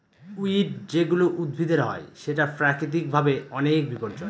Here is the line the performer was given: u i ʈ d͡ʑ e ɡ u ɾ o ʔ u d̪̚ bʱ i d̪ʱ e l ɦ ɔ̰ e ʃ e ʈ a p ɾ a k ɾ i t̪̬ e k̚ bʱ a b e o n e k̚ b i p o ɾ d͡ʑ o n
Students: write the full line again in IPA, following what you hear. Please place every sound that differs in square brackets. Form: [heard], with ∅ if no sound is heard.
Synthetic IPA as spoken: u i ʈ d͡ʑ e ɡ u [l] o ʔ u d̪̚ bʱ i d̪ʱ e [ɾ] ɦ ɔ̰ e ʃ e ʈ a p ɾ a k ɾ i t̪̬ [i] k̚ bʱ a b e [ɔ] n e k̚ b i p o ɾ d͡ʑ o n